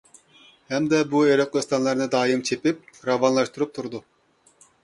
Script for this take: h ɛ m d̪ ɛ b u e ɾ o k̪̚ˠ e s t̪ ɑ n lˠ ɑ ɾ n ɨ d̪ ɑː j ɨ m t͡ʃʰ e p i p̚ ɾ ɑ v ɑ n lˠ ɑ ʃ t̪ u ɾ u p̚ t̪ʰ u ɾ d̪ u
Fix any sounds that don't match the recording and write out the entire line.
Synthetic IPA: h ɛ m d̪ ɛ b u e ɾ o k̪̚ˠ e s t̪ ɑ n lˠ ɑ ɾ n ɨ d̪ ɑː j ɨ m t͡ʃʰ e p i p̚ ɾ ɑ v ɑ n lˠ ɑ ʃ t̪ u ɾ u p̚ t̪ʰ u ɾ d̪ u